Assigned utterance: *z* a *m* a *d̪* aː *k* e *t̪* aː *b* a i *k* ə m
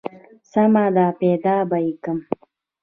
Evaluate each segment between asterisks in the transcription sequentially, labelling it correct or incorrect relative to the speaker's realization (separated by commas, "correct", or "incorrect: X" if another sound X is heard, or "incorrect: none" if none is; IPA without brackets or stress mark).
incorrect: s, correct, correct, incorrect: p, incorrect: d̪, correct, correct